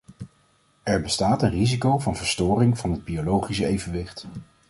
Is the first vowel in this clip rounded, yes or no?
no